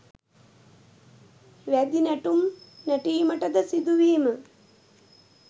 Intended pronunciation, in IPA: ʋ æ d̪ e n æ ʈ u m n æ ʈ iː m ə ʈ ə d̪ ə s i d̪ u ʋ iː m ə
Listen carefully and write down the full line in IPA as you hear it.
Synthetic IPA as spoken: ʋ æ d̪ i n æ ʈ u m n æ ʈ iː m ə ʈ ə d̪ ə s i d̪ u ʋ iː m ə